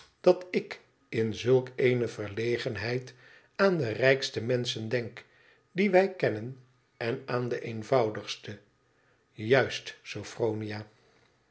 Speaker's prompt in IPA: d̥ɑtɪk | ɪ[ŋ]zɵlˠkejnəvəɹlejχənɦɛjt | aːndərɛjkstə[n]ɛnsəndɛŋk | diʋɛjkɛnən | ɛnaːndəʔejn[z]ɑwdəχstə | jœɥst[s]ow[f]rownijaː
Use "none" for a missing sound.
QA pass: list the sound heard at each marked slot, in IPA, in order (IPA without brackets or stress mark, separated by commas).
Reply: n, m, v, s, f